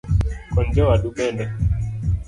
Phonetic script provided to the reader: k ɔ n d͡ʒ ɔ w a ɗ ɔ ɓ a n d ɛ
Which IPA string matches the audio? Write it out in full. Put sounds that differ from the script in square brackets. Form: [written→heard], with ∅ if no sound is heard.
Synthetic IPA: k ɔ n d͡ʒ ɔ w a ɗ [ɔ→u] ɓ [a→ɛ] n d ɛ